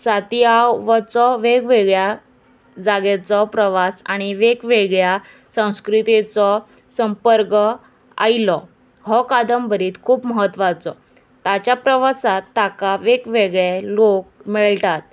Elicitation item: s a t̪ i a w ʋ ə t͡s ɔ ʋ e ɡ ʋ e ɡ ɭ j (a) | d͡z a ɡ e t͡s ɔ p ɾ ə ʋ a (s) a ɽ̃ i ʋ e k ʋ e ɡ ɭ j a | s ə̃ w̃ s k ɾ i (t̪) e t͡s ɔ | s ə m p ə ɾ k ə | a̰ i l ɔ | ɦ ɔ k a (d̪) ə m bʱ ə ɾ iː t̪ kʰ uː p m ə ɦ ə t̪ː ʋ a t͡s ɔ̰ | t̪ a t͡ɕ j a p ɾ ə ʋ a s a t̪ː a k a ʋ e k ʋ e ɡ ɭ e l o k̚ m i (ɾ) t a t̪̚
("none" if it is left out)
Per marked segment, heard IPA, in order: a, s, t̪, d̪, ɭ

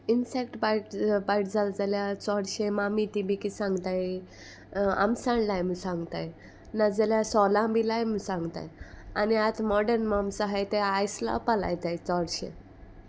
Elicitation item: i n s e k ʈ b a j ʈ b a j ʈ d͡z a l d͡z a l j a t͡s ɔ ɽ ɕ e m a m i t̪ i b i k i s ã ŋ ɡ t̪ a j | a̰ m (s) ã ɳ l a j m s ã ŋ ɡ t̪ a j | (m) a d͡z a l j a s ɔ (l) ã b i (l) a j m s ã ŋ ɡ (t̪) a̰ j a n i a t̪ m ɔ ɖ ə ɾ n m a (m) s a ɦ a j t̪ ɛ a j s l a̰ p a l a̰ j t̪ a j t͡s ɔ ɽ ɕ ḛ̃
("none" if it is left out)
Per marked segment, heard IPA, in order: s, n, l, l, t̪, m

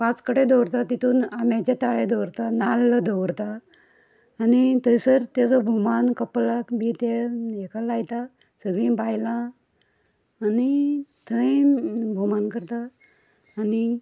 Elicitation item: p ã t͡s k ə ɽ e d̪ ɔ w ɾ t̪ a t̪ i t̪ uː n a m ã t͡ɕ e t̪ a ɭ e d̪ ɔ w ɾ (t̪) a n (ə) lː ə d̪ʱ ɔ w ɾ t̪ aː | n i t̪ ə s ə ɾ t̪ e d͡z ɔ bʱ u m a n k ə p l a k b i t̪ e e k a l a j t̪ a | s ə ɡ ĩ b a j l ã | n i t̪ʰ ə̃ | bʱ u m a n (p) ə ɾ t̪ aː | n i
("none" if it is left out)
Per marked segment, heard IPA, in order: t̪, a, k

